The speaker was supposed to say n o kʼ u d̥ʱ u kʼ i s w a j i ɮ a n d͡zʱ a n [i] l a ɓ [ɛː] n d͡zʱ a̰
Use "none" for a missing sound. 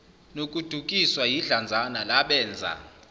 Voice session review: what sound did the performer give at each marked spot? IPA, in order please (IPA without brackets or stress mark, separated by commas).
a, ɛː